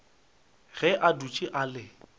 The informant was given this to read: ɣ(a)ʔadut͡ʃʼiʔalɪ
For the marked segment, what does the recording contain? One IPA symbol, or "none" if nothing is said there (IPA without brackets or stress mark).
ɛ